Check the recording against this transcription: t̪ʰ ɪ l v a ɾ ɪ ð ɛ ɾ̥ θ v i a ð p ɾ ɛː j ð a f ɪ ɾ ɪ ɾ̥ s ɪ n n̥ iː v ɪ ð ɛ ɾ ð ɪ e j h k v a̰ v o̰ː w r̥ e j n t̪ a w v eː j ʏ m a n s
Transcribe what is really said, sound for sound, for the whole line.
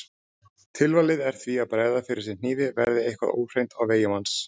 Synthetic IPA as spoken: t̪ʰ ɪ l v a l ɪ ð ɛ ɾ̥ θ v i a ð p ɾ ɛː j ð a f ɪ ɾ ɪ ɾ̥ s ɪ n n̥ iː v ɪ v ɛ ɾ ð ɪ e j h k v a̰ ð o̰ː w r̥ e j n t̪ a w v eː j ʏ m a n s